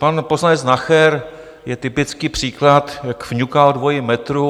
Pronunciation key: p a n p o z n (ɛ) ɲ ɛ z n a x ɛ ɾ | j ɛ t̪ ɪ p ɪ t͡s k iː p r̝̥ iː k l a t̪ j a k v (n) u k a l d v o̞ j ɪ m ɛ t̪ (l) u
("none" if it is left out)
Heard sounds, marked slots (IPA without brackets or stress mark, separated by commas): a, ɲ, ɾ